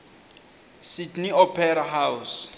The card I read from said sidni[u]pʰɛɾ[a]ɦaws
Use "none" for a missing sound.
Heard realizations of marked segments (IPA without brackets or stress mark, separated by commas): ɔ, a